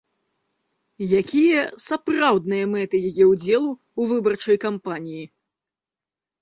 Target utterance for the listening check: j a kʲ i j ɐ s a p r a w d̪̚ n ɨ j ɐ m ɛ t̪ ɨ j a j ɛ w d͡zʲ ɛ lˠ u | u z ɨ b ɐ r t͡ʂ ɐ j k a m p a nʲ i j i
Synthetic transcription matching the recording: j a kʲ i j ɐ s a p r a w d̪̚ n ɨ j ɐ m ɛ t̪ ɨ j a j ɛ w d͡zʲ ɛ lˠ u | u v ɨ b ɐ r t͡ʂ ɐ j k a m p a nʲ i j i

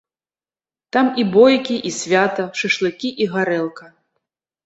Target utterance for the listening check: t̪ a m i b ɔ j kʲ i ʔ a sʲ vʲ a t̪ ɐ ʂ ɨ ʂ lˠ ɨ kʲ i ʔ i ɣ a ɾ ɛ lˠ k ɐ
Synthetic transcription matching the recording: t̪ a m i b ɔ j kʲ i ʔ i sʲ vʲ a t̪ ɐ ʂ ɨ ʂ lˠ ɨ kʲ i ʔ i ɣ a ɾ ɛ lˠ k ɐ

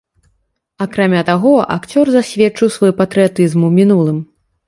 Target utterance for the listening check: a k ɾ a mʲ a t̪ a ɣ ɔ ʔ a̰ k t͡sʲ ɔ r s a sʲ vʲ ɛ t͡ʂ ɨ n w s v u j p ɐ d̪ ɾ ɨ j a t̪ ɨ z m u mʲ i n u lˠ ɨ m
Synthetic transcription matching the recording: a k ɾ a mʲ a t̪ a ɣ ɔ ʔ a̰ k t͡sʲ ɔ r z a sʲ vʲ ɛ t͡ʂ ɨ w s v ɔ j p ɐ t̪ ɾ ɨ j a t̪ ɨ z m u mʲ i n u lˠ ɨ m

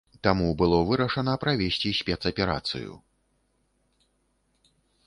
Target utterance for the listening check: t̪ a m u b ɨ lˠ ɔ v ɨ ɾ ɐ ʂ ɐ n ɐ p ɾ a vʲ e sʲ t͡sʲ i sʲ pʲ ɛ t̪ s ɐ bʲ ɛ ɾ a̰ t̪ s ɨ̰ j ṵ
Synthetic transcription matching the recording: t̪ a m u b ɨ lˠ ɔ v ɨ ɾ ɐ ʂ ɐ n ɐ p ɾ a vʲ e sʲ t͡sʲ i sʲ pʲ ɛ t̪ s ɐ pʲ ɛ ɾ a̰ t̪ s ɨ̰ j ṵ

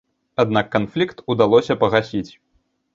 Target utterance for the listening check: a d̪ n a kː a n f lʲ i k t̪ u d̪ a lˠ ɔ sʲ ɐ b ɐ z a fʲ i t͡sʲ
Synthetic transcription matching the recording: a d̪ n a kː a n f lʲ i k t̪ u d̪ a lˠ ɔ sʲ ɐ p ɐ ɣ a sʲ i t͡sʲ

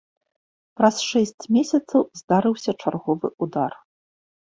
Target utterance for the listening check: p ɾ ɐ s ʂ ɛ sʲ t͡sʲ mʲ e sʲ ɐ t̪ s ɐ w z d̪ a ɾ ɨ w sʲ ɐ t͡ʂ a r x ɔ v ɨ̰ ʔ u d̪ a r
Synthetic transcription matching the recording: p ɾ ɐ s ʂ ɛ sʲ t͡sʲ mʲ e sʲ ɐ t̪ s ɐ w z d̪ a ɾ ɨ w sʲ ɐ t͡ʂ a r ɣ ɔ v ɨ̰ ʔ u d̪ a r

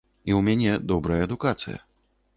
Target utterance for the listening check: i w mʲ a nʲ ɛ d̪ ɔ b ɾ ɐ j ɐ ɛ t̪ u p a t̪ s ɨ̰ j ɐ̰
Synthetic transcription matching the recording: i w mʲ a nʲ ɛ d̪ ɔ b ɾ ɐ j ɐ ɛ d̪ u k a t̪ s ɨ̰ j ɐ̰

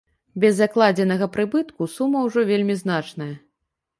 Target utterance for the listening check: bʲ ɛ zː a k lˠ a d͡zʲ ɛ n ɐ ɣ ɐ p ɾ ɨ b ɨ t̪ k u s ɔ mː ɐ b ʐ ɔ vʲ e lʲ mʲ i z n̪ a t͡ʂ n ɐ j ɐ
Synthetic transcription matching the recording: bʲ ɛ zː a k lˠ a d͡zʲ ɛ n ɐ ɣ ɐ p ɾ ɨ b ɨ t̪ k u s u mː ɐ w ʐ ɔ vʲ e lʲ mʲ i z n̪ a t͡ʂ n ɐ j ɐ

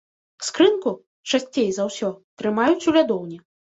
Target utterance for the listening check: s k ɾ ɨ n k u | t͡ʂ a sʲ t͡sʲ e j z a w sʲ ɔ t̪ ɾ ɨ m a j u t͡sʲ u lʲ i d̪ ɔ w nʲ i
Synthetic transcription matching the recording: s k ɾ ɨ n k u | t͡ʂ a sʲ t͡sʲ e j z a w sʲ ɔ t̪ ɾ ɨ m a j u t͡sʲ u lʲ a d̪ ɔ w nʲ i

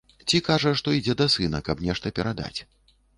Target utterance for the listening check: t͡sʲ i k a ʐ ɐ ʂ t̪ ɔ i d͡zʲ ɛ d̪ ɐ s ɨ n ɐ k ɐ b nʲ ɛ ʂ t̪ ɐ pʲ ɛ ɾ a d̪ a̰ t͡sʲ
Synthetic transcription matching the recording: t͡sʲ i k a ʐ ɐ ʂ t̪ ɔ i d͡zʲ ɛ d̪ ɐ s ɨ n ɐ k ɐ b nʲ ɛ ʂ t̪ ɐ pʲ ɛ ɾ a d̪ a̰ t͡sʲ

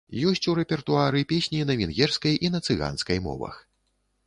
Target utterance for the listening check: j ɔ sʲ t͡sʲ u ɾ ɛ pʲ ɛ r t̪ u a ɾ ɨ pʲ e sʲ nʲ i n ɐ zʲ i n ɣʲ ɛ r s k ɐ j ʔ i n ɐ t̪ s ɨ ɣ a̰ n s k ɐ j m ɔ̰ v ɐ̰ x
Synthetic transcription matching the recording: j ɔ sʲ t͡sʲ u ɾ ɛ pʲ ɛ r t̪ u a ɾ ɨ pʲ e sʲ nʲ i n ɐ vʲ i n ɣʲ ɛ r s k ɐ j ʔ i n ɐ t̪ s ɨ ɣ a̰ n s k ɐ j m ɔ̰ v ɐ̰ x

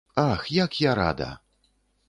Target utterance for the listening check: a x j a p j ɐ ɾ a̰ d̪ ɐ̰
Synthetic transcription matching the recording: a x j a k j a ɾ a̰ d̪ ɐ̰

